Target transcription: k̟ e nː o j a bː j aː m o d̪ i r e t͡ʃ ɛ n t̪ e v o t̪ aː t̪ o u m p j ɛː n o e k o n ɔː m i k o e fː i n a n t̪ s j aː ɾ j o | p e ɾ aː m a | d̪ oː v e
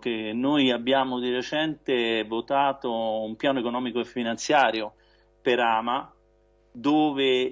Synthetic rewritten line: k̟ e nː o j a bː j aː m o d̪ i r e t͡ʃ ɛ n t̪ e v o t̪ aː t̪ o u m p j aː n o e k o n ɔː m i k o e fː i n a n t̪ s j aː ɾ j o | p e ɾ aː m a | d̪ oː v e

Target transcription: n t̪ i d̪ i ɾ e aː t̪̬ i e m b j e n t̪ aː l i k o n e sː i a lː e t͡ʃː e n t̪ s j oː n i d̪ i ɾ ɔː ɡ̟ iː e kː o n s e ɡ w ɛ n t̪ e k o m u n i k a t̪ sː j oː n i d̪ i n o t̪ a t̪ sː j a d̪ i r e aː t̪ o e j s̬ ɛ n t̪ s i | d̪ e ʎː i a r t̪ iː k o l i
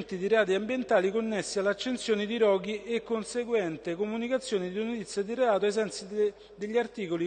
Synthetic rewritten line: n t̪ i d̪ i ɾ e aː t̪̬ i a m b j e n t̪ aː l i k o nː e sː i a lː a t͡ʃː e n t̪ s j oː n i d̪ i ɾ ɔː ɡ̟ i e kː o n s e ɡ w ɛ n t̪ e k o m u n i k a t̪ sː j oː n i d̪ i n o t̪ i t̪ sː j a d̪ i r e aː t̪ o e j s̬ ɛ n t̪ s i | d̪ e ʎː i a r t̪ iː k o l i

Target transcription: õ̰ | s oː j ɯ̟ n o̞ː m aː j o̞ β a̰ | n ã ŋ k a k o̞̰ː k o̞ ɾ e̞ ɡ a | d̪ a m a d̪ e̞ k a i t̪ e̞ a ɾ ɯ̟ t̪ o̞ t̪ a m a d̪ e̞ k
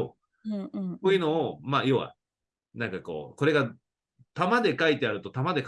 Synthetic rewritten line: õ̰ | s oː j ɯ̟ n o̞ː m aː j o̞ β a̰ | n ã ŋ k a k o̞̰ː k o̞ ɾ e̞ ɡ a | t̪ a m a d̪ e̞ k a i t̪ e̞ a ɾ ɯ̟ t̪ o̞ t̪ a m a d̪ e̞ k

